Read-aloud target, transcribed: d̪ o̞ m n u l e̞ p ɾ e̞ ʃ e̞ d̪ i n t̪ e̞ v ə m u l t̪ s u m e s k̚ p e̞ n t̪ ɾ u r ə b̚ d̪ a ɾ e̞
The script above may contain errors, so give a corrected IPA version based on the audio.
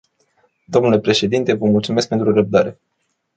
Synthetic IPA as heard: d̪ o̞ m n u l e̞ p ɾ e̞ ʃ e̞ d̪ i n t̪ e̞ v ə m u l t̪ s u m e s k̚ p e̞ n t̪ ɾ u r ə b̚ d̪ a ɾ e̞